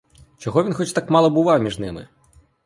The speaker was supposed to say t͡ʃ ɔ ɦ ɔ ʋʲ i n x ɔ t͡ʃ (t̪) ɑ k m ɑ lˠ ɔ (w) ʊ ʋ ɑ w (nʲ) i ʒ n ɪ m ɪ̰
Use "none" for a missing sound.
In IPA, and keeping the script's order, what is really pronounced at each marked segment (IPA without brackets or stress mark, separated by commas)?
t̪, b, mʲ